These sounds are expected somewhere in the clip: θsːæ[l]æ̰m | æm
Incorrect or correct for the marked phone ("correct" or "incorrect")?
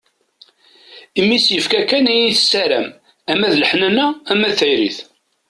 incorrect